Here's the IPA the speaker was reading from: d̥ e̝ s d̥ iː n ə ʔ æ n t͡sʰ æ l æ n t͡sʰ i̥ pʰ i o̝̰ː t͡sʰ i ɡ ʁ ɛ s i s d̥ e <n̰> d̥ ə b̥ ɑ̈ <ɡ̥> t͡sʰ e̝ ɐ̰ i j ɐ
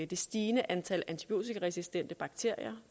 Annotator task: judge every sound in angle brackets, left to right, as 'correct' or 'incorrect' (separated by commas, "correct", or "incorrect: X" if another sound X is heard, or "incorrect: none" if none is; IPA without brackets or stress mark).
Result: correct, correct